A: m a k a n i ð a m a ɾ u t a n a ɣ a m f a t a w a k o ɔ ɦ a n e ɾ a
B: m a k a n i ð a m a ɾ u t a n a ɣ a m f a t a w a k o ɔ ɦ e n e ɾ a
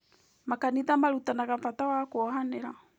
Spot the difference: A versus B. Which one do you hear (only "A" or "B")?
A